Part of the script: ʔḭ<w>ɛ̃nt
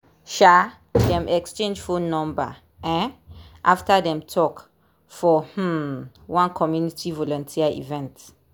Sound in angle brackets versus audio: incorrect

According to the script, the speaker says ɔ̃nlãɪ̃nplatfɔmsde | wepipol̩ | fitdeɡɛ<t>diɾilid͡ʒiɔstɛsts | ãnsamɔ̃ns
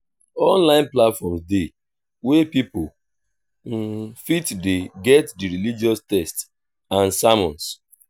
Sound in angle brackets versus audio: correct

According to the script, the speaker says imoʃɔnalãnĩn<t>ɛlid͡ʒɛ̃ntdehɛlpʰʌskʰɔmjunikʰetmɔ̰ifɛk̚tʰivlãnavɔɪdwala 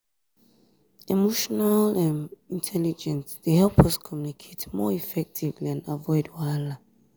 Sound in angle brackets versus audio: incorrect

